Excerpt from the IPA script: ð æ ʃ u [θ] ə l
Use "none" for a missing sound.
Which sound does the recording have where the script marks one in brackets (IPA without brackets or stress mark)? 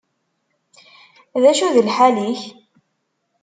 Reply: ð